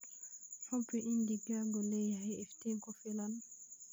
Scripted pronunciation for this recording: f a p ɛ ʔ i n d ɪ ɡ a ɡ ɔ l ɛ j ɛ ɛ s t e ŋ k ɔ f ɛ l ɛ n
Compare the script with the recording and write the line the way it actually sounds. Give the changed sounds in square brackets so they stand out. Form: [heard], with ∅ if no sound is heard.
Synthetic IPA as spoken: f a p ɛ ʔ i n d [i] ɡ a ɡ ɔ l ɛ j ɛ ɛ [f] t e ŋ k ɔ f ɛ l [a] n